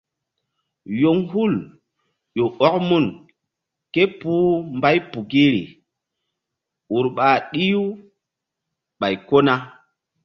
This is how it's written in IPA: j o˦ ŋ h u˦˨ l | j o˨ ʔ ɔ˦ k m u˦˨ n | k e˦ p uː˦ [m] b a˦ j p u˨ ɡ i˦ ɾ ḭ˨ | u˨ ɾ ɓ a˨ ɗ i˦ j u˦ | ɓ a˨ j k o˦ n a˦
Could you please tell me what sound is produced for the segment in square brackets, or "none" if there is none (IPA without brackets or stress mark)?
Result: m